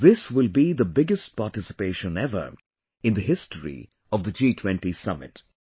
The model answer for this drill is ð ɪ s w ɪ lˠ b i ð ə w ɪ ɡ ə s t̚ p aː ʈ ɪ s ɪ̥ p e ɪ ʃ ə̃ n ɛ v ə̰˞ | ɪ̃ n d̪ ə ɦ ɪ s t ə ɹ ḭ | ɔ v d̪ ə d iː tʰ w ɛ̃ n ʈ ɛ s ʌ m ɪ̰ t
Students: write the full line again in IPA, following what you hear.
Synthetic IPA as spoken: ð ɪ s w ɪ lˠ b i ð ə b ɪ ɡ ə s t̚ p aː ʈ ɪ s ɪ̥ p e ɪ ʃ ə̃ n ɛ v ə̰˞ | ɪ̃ n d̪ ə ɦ ɪ s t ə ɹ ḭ | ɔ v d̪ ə d͡ʒ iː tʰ w ɛ̃ n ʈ i s ʌ m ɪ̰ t